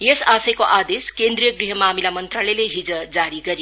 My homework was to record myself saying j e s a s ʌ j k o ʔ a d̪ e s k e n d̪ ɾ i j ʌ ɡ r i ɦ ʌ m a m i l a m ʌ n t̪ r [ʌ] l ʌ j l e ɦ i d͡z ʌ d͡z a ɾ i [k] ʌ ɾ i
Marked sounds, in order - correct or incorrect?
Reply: incorrect: a, incorrect: ɡ

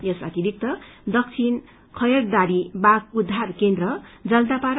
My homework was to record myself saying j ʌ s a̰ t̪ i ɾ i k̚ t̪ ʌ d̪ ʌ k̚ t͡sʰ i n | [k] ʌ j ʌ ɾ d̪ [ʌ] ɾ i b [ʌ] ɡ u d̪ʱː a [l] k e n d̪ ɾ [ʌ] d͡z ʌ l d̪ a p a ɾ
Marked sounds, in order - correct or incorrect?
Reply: incorrect: kʰ, incorrect: a, incorrect: a, incorrect: r, correct

